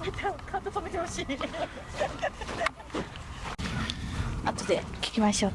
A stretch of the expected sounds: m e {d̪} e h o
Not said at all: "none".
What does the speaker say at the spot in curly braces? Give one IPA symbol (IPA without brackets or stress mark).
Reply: t̪